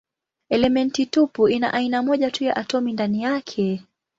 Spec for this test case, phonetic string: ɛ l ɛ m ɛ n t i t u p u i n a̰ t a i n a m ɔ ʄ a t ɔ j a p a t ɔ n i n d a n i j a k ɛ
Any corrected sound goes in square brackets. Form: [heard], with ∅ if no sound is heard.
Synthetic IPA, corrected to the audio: ɛ l ɛ m ɛ n t i t u p u i n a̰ [ʔ] a i n a m ɔ ʄ a t [u] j a [ʔ] a t ɔ [m] i n d a n i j a [kʰ] ɛ